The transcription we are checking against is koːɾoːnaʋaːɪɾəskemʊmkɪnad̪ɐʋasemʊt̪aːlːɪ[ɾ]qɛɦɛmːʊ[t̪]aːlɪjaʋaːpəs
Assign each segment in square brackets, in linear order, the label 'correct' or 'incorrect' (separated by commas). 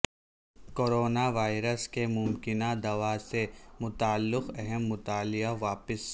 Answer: incorrect, correct